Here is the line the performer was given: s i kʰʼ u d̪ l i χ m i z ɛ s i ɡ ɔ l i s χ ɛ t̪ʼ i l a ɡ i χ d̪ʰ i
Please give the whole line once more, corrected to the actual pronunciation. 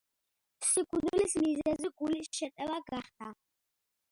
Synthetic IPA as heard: s i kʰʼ u d̪ l i s m i z ɛ z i ɡ u l i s ʃ ɛ t̪ʼ ɛ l a ɡ a χ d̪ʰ a